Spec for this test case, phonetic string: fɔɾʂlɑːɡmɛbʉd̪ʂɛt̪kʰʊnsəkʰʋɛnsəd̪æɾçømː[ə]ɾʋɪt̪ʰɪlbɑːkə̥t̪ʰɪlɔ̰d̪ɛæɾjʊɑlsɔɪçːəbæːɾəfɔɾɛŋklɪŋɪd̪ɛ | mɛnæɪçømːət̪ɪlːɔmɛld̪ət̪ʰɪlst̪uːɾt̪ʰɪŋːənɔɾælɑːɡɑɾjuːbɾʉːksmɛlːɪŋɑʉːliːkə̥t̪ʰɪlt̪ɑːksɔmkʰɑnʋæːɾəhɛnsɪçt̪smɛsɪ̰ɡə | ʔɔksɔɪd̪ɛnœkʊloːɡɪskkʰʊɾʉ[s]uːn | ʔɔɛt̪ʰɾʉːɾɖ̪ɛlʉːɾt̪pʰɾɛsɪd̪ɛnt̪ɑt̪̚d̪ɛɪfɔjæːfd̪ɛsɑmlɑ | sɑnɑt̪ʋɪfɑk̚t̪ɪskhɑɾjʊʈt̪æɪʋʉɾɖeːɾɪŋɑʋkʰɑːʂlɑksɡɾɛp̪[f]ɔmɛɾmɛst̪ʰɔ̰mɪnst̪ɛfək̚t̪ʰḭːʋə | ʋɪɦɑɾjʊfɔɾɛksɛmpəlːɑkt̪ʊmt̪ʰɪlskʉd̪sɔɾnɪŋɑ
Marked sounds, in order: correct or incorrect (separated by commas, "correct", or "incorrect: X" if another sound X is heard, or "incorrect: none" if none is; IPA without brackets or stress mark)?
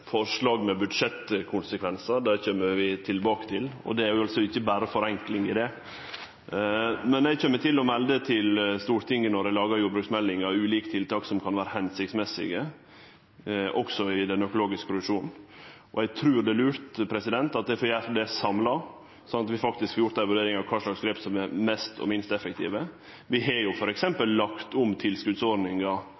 correct, incorrect: ʂ, incorrect: s